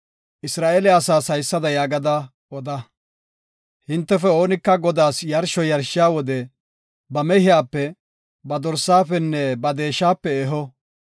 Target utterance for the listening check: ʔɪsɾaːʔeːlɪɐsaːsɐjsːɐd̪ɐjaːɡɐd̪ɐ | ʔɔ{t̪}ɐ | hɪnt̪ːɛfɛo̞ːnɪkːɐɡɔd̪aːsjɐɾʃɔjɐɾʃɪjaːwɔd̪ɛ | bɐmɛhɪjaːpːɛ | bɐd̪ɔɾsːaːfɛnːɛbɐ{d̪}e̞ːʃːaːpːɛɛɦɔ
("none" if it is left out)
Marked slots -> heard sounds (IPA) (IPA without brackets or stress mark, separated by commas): d̪, d̪